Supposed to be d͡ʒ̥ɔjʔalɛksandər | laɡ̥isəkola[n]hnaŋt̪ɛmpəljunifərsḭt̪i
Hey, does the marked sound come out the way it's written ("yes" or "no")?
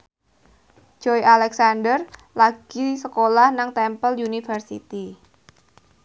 no